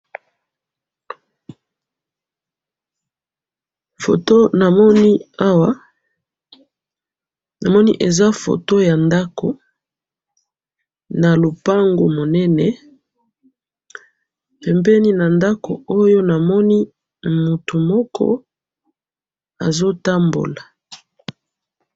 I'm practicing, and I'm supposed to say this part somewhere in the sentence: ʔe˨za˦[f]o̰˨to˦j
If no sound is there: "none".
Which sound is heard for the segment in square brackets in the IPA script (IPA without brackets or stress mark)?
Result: f